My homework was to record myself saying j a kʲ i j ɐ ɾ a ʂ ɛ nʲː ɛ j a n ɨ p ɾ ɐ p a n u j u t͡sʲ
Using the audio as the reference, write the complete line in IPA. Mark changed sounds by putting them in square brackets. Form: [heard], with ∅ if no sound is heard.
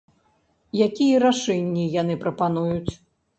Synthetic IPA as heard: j a kʲ i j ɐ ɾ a ʂ ɛ nʲː [i] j a n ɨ p ɾ ɐ p a n u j u t͡sʲ